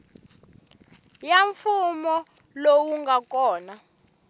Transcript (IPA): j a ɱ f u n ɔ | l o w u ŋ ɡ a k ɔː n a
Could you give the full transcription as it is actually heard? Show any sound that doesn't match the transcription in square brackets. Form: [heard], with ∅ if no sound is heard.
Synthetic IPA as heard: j a ɱ f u [m] ɔ | l o w u ŋ ɡ a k ɔː n a